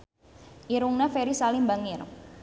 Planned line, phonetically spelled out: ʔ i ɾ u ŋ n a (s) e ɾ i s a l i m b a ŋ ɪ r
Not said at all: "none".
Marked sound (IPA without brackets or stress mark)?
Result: f